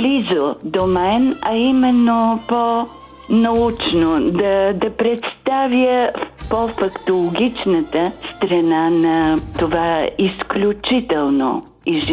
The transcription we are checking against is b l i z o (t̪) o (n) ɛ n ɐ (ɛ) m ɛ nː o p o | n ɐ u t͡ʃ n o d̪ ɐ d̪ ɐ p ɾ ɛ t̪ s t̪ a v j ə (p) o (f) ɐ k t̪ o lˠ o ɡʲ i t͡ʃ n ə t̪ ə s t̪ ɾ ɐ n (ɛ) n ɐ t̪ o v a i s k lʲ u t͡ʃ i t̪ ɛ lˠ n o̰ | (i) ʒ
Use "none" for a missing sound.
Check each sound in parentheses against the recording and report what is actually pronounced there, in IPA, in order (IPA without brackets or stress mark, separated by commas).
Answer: d̪, m, i, p, f, a, i